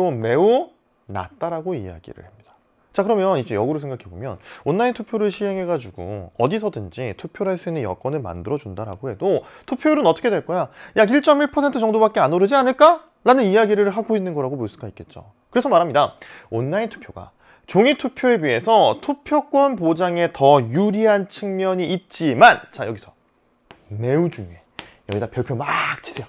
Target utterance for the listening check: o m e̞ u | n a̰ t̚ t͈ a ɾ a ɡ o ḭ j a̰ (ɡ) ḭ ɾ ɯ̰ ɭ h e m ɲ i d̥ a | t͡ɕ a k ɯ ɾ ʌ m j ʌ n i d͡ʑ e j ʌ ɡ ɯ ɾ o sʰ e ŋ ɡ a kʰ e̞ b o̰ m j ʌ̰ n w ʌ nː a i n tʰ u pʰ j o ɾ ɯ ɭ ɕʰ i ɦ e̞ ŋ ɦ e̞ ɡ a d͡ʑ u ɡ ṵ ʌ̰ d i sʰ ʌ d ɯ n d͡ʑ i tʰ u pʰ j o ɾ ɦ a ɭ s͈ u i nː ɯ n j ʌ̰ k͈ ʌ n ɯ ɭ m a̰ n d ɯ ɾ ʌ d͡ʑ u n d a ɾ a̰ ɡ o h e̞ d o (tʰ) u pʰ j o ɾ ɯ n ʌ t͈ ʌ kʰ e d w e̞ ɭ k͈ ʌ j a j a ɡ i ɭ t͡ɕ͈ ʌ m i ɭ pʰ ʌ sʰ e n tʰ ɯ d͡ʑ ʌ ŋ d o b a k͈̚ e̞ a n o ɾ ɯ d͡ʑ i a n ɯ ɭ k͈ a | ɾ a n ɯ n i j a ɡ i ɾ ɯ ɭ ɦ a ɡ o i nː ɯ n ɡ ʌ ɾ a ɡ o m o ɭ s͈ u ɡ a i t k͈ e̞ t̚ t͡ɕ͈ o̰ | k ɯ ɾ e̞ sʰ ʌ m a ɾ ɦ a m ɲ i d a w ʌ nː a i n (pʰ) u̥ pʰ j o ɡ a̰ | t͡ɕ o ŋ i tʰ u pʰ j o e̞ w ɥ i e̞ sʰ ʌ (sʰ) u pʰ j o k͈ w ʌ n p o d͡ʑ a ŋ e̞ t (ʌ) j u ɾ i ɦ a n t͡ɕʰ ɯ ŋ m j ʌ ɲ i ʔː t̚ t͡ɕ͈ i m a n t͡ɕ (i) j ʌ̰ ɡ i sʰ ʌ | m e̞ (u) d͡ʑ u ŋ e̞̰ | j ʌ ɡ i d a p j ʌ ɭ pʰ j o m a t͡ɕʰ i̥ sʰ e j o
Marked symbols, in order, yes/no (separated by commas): yes, yes, no, no, yes, no, yes